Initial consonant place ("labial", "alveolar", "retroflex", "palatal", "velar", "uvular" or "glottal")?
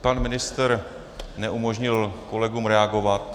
labial